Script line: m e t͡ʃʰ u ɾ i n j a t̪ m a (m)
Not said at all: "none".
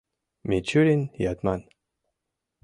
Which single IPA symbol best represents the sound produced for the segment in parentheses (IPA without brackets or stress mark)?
n